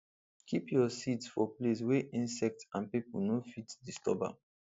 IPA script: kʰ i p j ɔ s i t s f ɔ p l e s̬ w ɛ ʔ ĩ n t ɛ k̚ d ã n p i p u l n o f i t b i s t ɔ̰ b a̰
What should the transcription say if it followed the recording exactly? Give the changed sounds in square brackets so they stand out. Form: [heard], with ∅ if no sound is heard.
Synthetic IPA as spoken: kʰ i p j ɔ s i t s f ɔ p l e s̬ w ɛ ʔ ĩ n [s] ɛ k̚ [t] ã n p i p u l n o f i t [d] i s t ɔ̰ b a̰